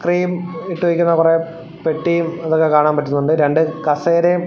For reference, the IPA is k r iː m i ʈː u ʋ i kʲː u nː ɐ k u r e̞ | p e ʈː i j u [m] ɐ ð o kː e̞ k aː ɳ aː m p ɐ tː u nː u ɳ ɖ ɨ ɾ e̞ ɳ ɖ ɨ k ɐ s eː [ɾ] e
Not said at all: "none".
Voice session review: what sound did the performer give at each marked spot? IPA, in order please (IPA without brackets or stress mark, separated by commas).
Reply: m, ɾ